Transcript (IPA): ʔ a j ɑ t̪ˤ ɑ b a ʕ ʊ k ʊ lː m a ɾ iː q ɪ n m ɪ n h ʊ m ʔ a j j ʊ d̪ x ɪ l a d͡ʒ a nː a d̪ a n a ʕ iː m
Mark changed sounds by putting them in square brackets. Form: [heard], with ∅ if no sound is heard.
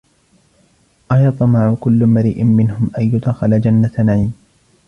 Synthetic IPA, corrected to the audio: ʔ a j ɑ t̪ˤ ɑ [m] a ʕ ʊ k ʊ lː m a ɾ iː [ʔ] ɪ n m ɪ n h ʊ m ʔ a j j ʊ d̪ x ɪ l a d͡ʒ a nː a [t̪] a n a ʕ iː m

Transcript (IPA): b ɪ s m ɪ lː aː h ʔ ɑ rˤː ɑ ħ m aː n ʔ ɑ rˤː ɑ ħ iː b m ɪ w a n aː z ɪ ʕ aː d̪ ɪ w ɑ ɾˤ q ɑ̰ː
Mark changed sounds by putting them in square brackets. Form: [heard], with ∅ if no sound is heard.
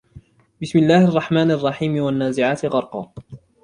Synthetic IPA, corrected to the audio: b ɪ s m ɪ lː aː h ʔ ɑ rˤː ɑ ħ m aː n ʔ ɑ rˤː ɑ ħ iː [∅] m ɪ w a [nː] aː z ɪ ʕ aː [t̪] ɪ [ɣ] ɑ ɾˤ q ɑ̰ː

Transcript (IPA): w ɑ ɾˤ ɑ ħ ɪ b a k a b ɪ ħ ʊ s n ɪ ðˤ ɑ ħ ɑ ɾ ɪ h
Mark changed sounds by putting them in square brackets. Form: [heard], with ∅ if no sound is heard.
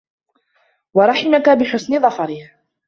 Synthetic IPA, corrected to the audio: w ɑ ɾˤ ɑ ħ ɪ [m] a k a b ɪ ħ ʊ s n ɪ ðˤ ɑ [f] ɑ ɾ ɪ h

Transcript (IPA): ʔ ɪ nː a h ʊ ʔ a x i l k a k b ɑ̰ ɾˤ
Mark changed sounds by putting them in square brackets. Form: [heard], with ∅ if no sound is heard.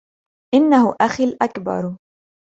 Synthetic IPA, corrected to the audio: ʔ ɪ nː a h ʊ ʔ a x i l [ʔ] a k b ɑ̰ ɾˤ

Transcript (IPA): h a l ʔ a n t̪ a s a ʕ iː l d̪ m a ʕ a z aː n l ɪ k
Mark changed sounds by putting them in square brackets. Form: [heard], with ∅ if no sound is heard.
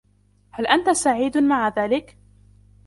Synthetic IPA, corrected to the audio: h a l ʔ a n t̪ a s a ʕ iː [∅] d̪ m a ʕ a [ð] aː [∅] l ɪ k

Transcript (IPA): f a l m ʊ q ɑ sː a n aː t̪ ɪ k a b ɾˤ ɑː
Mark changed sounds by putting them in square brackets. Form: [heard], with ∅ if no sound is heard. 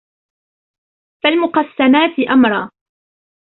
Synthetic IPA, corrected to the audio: f a l m ʊ q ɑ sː a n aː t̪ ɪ [ʔ] a [m] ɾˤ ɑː

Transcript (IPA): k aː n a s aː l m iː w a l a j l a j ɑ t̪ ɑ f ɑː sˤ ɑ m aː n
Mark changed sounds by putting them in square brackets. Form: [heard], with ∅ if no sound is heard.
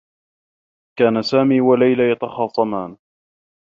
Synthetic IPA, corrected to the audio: k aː n a s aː [∅] m iː w a l a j l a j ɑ t̪ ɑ [x] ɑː sˤ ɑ m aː n

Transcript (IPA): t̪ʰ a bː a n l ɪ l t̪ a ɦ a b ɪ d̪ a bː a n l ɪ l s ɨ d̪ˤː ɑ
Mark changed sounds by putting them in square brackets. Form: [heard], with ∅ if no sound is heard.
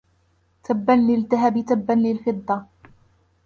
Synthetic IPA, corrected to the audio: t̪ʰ a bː a n l ɪ l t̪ a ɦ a b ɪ [t̪] a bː a n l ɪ l [f] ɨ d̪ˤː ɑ

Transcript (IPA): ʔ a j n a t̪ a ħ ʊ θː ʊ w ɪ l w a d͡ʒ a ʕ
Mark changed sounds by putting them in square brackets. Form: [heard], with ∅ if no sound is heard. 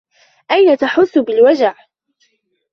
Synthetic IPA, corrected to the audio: ʔ a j n a t̪ a ħ ʊ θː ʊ [b] ɪ l w a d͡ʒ a ʕ

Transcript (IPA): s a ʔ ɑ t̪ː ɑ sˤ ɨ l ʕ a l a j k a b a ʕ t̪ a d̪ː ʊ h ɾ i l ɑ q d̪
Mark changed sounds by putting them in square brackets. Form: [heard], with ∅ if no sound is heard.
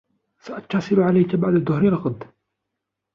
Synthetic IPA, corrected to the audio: s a ʔ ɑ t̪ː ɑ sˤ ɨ l ʕ a l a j k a b a ʕ [d̪] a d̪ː ʊ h ɾ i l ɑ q d̪

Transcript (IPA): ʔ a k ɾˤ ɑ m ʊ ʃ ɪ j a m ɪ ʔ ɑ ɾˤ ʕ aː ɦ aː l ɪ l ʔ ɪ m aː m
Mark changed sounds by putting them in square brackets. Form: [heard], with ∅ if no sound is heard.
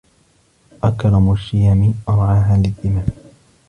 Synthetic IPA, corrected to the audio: ʔ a k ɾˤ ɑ m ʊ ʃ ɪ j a m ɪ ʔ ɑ ɾˤ ʕ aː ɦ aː l ɪ l ʔ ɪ m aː m

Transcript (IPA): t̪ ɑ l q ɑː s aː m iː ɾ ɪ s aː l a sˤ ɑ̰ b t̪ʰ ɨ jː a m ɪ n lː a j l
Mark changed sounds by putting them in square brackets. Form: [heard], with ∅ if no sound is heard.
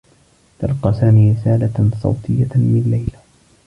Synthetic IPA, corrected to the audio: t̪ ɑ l q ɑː s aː m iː ɾ ɪ s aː l a sˤ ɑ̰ [w] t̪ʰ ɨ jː a m ɪ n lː a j l

